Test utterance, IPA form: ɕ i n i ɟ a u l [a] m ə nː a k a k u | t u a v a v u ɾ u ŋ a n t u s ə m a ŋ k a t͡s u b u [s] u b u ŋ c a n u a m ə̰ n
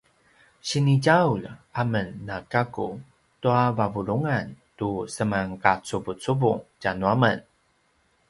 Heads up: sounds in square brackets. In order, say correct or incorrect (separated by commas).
correct, incorrect